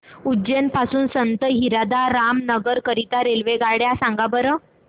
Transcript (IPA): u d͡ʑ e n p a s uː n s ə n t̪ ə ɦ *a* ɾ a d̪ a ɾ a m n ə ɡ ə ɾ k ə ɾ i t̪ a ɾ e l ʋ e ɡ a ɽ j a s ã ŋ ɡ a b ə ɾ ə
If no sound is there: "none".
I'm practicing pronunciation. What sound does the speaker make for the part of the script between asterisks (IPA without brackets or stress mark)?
i